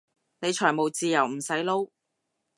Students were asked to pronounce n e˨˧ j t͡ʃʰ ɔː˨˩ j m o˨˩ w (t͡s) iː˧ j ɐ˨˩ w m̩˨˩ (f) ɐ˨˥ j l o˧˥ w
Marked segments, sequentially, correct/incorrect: correct, incorrect

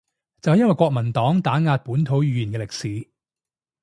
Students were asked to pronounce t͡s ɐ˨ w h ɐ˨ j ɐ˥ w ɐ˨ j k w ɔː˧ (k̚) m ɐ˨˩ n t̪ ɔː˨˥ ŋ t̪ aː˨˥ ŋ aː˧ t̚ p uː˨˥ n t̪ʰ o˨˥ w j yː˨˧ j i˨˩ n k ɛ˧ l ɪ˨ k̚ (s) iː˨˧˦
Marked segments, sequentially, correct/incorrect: correct, correct

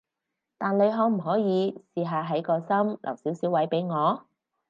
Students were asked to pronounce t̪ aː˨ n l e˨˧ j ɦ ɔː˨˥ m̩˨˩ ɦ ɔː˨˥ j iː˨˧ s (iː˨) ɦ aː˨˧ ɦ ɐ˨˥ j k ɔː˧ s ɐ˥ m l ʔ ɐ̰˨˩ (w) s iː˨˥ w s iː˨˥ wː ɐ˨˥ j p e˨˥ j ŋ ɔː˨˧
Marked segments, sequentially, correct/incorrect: correct, correct

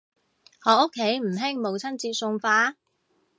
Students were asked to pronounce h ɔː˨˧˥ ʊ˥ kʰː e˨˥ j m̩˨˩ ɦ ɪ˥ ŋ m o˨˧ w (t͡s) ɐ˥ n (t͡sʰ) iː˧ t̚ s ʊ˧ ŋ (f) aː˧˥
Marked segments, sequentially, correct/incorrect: incorrect, incorrect, correct

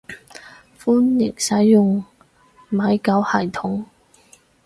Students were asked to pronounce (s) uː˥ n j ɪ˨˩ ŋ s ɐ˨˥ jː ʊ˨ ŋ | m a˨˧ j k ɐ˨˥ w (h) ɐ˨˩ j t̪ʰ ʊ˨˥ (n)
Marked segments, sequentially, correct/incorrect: incorrect, correct, incorrect

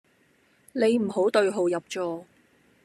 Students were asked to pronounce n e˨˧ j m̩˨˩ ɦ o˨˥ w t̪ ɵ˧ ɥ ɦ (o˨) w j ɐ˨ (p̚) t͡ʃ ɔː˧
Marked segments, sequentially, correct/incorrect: correct, correct

